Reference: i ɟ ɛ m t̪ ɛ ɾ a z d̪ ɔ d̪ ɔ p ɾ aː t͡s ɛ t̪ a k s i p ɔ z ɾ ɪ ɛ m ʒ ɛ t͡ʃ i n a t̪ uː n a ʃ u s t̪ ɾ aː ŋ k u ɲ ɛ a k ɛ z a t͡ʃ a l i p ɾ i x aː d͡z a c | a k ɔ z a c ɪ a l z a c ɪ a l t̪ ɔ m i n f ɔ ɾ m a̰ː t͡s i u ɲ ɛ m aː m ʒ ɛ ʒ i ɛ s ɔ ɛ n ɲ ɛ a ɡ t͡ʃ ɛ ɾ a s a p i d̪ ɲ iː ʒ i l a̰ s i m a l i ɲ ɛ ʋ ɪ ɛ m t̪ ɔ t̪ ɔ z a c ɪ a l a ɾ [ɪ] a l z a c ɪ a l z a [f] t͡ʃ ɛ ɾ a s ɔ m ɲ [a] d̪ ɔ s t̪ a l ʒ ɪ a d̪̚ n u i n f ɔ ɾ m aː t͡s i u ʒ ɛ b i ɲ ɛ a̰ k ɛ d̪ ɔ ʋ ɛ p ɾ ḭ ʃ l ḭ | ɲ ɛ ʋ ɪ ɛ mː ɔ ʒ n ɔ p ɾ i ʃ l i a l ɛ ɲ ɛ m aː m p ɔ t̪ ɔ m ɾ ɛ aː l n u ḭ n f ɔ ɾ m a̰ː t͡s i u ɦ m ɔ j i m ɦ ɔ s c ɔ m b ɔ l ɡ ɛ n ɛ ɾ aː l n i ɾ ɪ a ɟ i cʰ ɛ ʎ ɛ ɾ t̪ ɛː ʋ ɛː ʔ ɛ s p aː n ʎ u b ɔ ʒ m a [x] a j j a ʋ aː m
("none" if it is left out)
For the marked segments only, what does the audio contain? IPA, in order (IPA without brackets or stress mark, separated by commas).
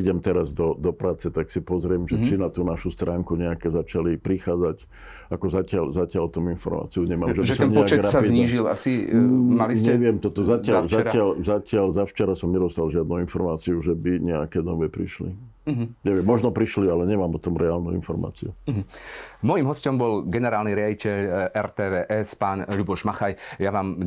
ɪ, f, ɛ, x